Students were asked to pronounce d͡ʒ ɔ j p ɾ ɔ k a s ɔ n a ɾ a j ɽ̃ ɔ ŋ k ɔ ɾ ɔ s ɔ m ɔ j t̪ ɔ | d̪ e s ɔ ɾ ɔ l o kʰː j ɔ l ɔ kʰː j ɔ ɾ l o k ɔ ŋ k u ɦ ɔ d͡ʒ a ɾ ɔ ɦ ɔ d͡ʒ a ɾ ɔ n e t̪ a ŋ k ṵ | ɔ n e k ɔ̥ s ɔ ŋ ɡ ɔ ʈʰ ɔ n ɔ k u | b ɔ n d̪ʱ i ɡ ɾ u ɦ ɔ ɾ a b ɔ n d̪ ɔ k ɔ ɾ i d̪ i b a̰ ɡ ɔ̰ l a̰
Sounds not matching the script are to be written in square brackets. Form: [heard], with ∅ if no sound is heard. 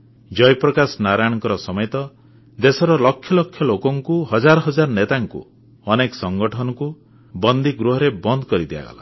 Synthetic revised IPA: d͡ʒ ɔ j p ɾ ɔ k a s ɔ n a ɾ a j ɽ̃ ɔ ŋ k ɔ ɾ ɔ s ɔ m ɔ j t̪ ɔ | d̪ e s ɔ ɾ ɔ l [ɔ] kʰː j ɔ l ɔ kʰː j ɔ [∅] l o k ɔ ŋ k u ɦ ɔ d͡ʒ a ɾ ɔ ɦ ɔ d͡ʒ a ɾ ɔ n e t̪ a ŋ k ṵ | ɔ n e k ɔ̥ s ɔ ŋ ɡ ɔ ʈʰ ɔ n ɔ k u | b ɔ n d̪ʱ i ɡ ɾ u ɦ ɔ ɾ [e] b ɔ n d̪ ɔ k ɔ ɾ i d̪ i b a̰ ɡ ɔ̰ l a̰